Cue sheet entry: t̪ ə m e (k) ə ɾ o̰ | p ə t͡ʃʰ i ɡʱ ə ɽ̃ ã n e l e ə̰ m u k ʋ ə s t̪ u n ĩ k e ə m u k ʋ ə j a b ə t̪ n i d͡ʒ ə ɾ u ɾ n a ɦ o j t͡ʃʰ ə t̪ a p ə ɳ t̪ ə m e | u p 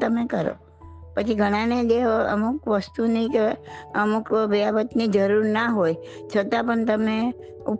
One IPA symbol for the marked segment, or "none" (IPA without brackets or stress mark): k